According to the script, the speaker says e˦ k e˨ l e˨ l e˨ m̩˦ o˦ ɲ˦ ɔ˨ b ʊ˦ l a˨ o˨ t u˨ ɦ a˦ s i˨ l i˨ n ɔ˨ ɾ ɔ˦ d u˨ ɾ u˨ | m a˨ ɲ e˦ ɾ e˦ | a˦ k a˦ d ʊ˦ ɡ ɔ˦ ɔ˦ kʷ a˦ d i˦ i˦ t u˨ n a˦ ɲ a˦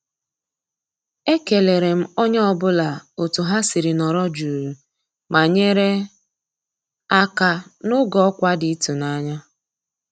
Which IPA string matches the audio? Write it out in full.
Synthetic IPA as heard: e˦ k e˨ l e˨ ɾ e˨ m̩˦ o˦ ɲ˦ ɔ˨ b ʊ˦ l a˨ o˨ t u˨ ɦ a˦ s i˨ ɾ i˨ n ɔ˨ ɾ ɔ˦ d͡ʒ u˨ ɾ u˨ | m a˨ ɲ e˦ ɾ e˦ | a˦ k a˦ n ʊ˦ ɡ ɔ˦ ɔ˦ kʷ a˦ d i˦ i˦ t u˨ n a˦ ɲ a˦